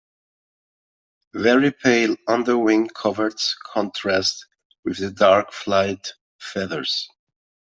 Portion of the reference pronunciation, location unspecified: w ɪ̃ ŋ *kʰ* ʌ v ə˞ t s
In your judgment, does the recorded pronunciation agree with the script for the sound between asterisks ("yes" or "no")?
yes